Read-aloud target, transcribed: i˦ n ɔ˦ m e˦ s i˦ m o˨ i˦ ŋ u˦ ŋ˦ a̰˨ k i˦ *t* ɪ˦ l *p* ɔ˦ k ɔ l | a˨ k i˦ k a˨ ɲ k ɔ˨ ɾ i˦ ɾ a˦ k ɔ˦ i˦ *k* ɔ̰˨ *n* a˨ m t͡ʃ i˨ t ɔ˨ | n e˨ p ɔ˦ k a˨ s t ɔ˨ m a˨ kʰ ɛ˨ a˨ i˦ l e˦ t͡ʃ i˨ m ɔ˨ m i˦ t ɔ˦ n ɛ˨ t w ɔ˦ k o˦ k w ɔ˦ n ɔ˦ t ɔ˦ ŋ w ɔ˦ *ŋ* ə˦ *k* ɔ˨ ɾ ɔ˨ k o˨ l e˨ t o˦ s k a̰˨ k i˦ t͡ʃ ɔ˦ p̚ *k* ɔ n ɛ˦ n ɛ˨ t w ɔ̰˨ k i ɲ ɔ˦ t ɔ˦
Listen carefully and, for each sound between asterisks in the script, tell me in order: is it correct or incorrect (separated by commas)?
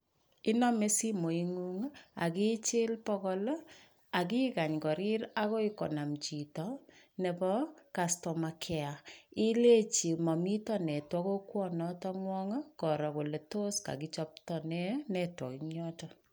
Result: incorrect, correct, correct, correct, correct, correct, incorrect